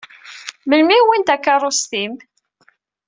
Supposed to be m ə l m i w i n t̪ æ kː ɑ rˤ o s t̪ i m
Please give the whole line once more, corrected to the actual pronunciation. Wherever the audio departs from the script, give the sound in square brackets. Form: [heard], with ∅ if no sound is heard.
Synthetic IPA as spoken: m ə l m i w i n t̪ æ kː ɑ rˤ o s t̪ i m